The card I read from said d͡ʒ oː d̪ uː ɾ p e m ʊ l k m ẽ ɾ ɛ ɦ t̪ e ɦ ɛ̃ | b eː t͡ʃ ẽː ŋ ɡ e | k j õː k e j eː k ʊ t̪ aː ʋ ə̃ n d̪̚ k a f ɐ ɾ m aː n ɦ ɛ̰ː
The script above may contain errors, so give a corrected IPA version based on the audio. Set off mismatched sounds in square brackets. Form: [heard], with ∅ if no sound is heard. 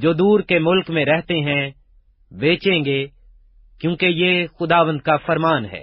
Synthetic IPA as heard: d͡ʒ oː d̪ uː ɾ [k] e m ʊ l k m ẽ ɾ ɛ ɦ t̪ e ɦ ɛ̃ | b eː t͡ʃ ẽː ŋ ɡ e | k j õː k e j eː [x] ʊ [d̪] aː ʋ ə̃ n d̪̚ k a f ɐ ɾ m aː n ɦ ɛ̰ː